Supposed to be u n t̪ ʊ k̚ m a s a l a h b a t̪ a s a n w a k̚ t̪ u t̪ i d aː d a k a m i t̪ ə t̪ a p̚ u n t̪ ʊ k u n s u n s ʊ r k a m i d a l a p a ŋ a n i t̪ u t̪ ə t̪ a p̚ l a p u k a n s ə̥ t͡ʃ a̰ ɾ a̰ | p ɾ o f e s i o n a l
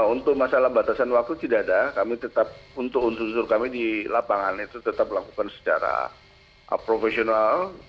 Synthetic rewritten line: u n t̪ ʊ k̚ m a s a l a h b a t̪ a s a n w a k̚ t̪ u t̪ i d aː d a k a m i t̪ ə t̪ a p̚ u n t̪ ʊ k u n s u n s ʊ r k a m i d i l a p a ŋ a n i t̪ u t̪ ə t̪ a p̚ l a k u k a n s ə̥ t͡ʃ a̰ ɾ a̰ | p ɾ o f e s i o n a l